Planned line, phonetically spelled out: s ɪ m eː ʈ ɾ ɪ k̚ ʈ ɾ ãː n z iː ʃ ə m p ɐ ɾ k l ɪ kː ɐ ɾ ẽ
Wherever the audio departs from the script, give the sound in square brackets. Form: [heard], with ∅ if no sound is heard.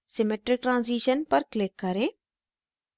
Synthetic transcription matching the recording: s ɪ m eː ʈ ɾ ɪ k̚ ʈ ɾ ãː n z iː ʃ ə [n] p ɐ ɾ k l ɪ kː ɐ ɾ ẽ